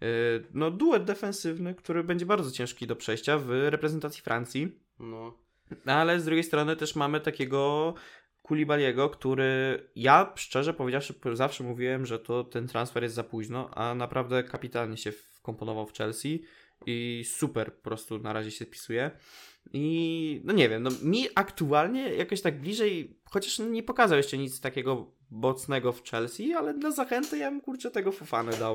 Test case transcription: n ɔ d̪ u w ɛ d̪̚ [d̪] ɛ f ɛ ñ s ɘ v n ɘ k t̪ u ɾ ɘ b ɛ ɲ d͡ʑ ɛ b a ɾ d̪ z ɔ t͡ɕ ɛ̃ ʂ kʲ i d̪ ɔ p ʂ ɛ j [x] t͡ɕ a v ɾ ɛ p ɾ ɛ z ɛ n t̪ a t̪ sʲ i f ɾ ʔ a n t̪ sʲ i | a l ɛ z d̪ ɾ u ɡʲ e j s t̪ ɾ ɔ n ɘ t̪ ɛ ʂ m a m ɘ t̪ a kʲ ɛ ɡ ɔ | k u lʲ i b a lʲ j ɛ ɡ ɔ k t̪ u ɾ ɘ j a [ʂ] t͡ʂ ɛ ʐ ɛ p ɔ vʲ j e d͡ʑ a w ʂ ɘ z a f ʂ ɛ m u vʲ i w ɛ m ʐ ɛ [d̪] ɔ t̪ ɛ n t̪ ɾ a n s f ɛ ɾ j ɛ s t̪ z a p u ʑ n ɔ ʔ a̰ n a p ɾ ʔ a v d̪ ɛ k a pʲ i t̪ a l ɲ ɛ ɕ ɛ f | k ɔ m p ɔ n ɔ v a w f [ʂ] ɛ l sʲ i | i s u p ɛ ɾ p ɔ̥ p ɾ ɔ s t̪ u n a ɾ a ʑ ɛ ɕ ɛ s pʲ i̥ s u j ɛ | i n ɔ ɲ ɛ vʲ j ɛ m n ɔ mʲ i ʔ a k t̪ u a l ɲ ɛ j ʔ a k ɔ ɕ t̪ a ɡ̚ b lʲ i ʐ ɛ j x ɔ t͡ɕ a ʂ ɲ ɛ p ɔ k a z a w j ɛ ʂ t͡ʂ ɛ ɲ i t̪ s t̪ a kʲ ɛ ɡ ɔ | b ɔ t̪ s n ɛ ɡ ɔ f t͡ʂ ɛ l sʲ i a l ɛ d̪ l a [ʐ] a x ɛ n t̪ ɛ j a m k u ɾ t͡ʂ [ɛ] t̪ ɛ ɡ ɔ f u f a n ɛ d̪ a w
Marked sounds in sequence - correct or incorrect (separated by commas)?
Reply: correct, incorrect, correct, incorrect, incorrect, incorrect, correct